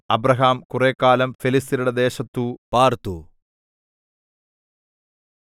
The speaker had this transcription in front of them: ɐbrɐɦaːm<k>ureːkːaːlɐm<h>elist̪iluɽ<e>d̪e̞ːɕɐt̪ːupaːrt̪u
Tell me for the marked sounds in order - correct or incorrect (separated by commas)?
correct, incorrect, correct